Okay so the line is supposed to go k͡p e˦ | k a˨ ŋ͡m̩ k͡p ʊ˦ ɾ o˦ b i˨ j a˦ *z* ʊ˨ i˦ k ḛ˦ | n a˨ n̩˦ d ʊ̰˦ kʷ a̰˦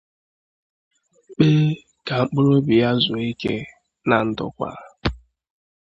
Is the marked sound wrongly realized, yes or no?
no